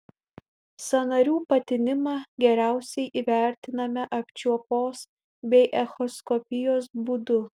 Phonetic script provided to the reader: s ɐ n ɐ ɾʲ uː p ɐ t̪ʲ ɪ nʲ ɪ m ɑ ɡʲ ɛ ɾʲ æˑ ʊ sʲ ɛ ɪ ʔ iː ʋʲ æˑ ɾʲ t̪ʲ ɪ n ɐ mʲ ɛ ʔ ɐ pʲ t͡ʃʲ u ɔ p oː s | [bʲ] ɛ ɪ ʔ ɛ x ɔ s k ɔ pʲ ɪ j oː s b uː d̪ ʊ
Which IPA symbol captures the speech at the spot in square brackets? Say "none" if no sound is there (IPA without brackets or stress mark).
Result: bʲ